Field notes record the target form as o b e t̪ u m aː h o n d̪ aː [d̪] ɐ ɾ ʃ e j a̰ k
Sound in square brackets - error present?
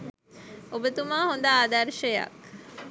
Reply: no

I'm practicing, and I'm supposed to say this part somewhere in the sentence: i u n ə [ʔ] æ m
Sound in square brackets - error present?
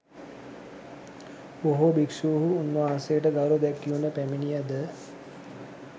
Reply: yes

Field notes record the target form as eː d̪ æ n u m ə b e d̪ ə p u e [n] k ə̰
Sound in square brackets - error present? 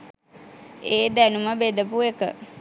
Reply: yes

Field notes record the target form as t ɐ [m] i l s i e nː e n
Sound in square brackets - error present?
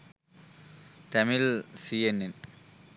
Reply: no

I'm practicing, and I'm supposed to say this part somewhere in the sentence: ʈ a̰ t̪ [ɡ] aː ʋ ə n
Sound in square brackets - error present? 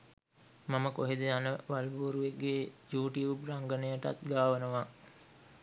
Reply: no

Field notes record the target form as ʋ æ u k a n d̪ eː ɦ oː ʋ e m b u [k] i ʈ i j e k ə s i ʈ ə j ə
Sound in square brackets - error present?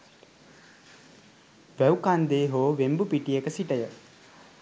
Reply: yes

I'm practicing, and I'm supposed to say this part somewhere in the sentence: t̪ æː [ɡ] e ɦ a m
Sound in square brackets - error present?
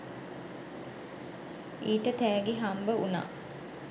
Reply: no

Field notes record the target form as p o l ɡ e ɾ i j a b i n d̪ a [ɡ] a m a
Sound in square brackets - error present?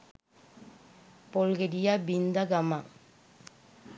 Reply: no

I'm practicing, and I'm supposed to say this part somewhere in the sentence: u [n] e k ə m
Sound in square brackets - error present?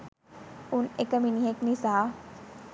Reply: no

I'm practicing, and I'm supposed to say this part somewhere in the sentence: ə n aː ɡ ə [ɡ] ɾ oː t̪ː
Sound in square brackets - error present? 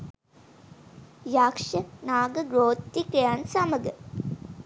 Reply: no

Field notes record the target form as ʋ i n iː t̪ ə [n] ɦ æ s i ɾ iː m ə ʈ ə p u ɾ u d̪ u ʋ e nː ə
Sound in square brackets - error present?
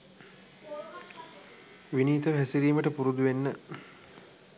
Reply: yes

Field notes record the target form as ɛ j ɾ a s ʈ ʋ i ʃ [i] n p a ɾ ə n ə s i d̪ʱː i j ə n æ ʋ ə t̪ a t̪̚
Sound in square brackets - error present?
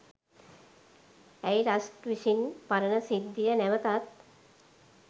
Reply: no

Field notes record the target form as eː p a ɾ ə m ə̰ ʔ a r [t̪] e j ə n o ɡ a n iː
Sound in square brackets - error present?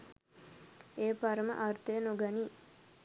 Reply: no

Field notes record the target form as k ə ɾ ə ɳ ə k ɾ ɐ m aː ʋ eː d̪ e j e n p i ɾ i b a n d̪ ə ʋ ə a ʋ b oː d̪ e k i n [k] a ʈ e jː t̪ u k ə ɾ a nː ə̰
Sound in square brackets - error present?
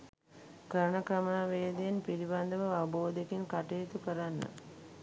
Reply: no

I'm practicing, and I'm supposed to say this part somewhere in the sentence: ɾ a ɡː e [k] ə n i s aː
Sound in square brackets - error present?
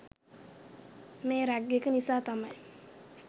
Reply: no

